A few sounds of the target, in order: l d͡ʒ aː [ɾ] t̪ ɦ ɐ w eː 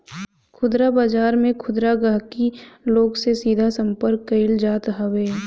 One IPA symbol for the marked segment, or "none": none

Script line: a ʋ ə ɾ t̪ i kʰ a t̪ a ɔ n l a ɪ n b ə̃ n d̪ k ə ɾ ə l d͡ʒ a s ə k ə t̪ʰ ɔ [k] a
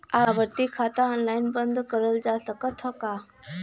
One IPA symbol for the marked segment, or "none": k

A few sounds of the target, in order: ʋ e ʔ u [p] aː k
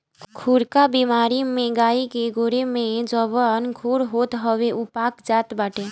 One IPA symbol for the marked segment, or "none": p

